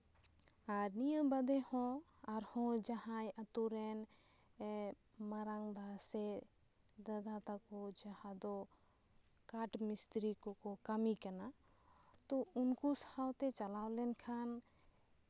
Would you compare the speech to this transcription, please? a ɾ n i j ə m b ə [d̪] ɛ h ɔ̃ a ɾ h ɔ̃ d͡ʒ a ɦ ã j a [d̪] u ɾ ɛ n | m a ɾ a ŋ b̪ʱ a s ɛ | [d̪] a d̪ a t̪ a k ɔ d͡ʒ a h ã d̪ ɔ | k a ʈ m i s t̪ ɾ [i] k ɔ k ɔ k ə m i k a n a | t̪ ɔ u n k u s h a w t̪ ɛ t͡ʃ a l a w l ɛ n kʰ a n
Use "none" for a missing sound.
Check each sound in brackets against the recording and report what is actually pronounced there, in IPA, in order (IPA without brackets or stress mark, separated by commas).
d̪, t̪, d̪, i